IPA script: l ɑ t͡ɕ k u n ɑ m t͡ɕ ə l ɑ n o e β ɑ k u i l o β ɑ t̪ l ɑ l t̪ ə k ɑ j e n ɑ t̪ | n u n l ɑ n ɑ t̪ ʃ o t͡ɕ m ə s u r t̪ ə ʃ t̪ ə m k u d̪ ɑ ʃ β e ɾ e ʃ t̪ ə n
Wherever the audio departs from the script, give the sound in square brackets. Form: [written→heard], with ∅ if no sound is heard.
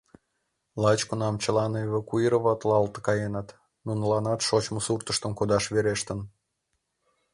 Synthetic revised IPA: l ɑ t͡ɕ k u n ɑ m t͡ɕ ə l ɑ n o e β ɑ k u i [l→ɾ] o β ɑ t̪ l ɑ l t̪ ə k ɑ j e n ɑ t̪ | n u n l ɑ n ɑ t̪ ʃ o t͡ɕ m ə s u r t̪ ə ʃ t̪ ə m k [u→o] d̪ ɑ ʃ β e ɾ e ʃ t̪ ə n